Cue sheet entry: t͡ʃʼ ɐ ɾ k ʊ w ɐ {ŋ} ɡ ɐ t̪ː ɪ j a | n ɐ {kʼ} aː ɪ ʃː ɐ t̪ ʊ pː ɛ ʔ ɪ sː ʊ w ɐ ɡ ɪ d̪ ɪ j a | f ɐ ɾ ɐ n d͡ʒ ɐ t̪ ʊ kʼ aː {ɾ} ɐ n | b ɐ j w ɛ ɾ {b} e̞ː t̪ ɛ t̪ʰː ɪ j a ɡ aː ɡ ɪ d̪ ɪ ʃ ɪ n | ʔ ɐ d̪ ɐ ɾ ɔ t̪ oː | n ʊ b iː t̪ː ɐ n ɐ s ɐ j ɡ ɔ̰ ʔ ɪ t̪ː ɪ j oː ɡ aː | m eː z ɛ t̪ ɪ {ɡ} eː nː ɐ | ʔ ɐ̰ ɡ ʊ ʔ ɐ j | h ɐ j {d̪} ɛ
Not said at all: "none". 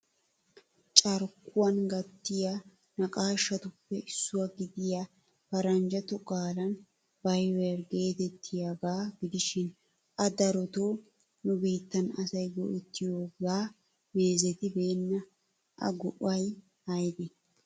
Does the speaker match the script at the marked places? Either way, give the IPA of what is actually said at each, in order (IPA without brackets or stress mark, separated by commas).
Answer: n, kʼ, l, ɡ, b, d̪